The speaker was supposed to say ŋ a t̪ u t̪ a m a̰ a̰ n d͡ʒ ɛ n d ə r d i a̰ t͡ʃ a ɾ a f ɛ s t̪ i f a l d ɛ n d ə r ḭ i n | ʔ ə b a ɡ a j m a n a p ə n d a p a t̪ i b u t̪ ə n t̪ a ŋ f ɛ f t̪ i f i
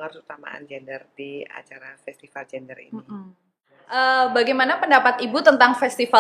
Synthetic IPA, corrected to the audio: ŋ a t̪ u t̪ a m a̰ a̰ n d͡ʒ ɛ n d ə r d i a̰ t͡ʃ a ɾ a f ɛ s t̪ i f a l d͡ʒ ɛ n d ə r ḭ i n | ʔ ə b a ɡ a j m a n a p ə n d a p a t̪ i b u t̪ ə n t̪ a ŋ f ɛ s t̪ i f a